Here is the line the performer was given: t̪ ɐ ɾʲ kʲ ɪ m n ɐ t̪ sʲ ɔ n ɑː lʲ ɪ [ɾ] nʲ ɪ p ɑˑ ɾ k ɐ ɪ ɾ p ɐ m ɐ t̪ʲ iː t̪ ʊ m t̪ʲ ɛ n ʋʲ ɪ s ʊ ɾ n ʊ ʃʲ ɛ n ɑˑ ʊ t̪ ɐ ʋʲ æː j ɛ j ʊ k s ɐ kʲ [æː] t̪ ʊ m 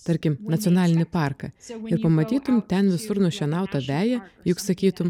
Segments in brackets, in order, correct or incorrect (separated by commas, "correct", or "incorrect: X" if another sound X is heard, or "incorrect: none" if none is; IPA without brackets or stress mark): incorrect: none, incorrect: iː